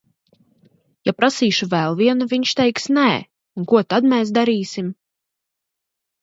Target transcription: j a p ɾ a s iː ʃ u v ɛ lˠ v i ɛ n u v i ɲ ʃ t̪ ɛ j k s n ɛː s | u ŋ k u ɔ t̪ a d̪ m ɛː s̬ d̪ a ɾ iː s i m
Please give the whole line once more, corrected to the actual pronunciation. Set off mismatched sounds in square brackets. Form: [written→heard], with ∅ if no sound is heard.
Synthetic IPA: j a p ɾ a s iː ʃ u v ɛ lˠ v i ɛ n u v i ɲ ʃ t̪ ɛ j k s n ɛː [s→∅] | u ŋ k u ɔ t̪ a d̪ m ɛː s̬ d̪ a ɾ iː s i m

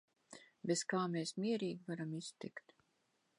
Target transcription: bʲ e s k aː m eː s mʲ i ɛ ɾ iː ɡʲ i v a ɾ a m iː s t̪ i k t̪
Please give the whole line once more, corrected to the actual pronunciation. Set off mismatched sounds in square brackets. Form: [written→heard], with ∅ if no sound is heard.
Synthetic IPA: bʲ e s k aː m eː s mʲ i ɛ ɾ iː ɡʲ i v a ɾ a m [iː→i] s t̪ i k t̪

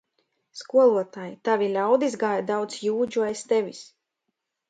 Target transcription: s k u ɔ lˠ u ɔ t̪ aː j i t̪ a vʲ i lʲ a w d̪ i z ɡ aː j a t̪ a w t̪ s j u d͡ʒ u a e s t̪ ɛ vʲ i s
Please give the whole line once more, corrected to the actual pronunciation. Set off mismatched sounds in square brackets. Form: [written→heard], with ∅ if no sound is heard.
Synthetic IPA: s k u ɔ lˠ u ɔ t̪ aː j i t̪ a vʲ i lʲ a w d̪ i z ɡ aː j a [t̪→d̪] a w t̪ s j [u→uː] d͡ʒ u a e s t̪ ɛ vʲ i s

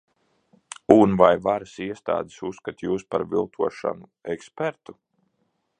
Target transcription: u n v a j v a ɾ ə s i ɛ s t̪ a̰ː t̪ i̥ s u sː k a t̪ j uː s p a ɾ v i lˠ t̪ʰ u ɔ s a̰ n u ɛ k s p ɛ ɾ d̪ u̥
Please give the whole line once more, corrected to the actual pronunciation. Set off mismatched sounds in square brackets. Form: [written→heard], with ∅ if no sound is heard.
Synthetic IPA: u n v a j v a ɾ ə s i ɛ s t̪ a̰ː [t̪→d̪] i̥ s u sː k a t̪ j uː s p a ɾ v i lˠ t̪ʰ u ɔ [s→ʃ] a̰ n u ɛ k s p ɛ ɾ [d̪→t̪] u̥

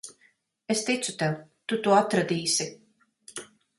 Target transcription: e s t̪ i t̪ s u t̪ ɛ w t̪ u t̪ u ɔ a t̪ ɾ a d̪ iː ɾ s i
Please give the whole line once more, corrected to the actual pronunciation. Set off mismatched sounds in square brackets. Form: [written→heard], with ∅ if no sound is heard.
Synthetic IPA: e s t̪ i t̪ s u t̪ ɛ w t̪ u t̪ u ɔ a t̪ ɾ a d̪ iː [ɾ→∅] s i

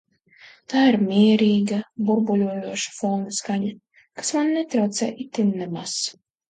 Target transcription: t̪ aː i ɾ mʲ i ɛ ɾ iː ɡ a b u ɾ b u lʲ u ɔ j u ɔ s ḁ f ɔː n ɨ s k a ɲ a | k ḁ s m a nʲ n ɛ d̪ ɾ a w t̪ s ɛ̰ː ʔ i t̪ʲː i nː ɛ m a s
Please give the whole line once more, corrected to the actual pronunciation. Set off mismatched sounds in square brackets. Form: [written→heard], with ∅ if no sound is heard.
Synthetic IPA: t̪ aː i ɾ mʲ i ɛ ɾ iː ɡ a b u ɾ b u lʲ u ɔ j u ɔ [s→ʃ] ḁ f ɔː n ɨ s k a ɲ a | k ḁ s m a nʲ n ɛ [d̪→t̪] ɾ a w t̪ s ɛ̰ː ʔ i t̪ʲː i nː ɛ m a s

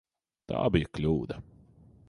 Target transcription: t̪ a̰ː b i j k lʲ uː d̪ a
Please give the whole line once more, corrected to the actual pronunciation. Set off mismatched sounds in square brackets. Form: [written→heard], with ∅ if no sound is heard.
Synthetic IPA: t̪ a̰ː b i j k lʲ uː d̪ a

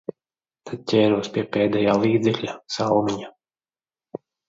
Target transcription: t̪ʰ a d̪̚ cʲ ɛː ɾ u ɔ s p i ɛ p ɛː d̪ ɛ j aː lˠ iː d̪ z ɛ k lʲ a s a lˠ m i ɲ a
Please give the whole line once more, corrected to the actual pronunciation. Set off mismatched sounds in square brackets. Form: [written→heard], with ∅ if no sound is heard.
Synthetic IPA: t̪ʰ a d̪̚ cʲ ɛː ɾ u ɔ s p i ɛ p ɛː d̪ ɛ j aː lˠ iː d̪ z ɛ k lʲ a s a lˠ m i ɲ a

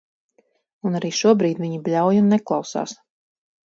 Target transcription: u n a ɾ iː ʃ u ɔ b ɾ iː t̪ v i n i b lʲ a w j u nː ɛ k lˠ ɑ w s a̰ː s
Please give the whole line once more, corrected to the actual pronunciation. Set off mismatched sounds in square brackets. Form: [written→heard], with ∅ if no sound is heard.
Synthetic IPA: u n a ɾ iː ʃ u ɔ b ɾ iː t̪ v i [n→ɲ] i b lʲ a w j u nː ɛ k lˠ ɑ w s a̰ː s

